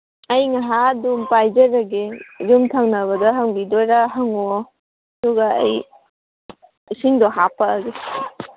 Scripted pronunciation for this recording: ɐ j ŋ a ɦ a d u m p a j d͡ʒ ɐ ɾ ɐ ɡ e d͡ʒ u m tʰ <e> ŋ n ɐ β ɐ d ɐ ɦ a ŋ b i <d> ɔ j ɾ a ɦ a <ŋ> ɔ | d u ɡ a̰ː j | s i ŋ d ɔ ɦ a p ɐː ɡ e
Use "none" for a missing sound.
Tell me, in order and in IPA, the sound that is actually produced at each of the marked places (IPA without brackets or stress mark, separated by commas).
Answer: a, d, ŋ